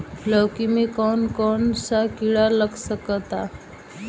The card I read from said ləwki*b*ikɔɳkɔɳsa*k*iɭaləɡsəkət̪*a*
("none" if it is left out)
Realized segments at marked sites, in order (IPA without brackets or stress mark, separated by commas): m, k, a